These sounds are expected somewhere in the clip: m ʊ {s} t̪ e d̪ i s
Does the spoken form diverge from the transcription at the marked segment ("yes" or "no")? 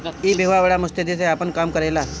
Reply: no